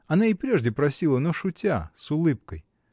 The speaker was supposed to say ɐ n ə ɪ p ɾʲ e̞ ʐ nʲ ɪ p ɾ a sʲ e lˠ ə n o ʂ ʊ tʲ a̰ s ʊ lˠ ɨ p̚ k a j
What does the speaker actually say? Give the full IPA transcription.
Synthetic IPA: ɐ n a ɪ p ɾʲ e̞ ʐ dʲ ɪ p ɾ ɐ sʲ i lˠ ə n o ʂ ʊ tʲ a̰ s ʊ lˠ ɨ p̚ k ə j